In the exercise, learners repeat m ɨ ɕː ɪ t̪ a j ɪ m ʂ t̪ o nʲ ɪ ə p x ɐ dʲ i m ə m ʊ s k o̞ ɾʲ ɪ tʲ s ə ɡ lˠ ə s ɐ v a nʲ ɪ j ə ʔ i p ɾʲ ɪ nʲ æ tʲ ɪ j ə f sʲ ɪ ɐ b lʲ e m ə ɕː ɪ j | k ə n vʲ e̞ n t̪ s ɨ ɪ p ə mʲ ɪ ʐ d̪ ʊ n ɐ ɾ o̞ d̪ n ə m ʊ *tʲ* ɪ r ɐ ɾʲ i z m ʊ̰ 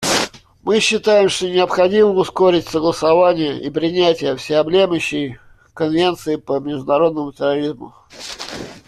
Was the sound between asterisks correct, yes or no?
yes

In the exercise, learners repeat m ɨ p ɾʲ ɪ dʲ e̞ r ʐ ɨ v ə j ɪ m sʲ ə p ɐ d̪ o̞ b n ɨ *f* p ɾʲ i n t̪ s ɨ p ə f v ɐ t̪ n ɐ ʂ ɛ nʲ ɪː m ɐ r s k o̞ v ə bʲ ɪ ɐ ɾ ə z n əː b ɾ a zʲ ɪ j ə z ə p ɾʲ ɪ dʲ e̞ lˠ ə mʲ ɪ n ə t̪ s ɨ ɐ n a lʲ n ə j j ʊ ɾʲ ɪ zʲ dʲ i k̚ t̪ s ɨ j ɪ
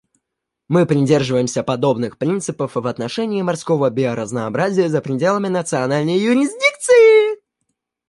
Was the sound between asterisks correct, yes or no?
no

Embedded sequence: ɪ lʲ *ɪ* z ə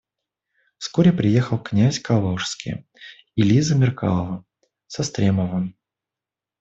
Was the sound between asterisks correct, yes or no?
no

